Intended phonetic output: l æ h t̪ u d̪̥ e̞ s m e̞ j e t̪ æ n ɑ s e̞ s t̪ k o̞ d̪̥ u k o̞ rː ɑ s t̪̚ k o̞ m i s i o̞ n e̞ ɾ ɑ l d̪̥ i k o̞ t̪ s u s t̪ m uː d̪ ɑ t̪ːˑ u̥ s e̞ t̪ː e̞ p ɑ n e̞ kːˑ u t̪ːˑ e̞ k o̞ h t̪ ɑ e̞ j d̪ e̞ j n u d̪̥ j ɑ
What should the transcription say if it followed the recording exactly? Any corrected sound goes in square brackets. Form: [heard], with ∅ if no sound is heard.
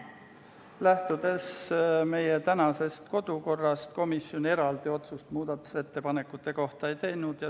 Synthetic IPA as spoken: l æ h t̪ u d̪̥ e̞ s m e̞ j e t̪ æ n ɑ s e̞ s t̪ k o̞ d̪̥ u k o̞ rː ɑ s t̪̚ k o̞ m i s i o̞ n e̞ ɾ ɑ l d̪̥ i [∅] o̞ t̪ s u s t̪ m uː d̪ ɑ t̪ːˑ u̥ s e̞ t̪ː e̞ p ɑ n e̞ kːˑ u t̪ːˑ e̞ k o̞ h t̪ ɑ e̞ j [t̪] e̞ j n u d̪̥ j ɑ